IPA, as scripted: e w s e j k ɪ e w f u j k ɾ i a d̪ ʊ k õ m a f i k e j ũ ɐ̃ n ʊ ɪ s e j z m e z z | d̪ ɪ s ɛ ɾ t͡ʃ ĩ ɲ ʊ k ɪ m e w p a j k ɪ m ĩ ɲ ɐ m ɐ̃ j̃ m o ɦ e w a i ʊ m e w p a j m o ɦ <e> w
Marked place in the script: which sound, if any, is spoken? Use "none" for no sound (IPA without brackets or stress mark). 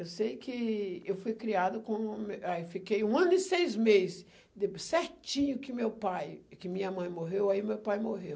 e